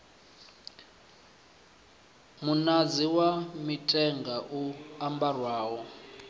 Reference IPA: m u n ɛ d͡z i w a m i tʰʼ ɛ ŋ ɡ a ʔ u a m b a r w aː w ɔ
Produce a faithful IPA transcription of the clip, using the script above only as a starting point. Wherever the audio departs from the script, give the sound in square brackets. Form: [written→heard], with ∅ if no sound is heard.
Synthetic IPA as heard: m u n [ɛ→a] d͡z i w a m i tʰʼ ɛ ŋ ɡ a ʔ u a m b a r w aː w ɔ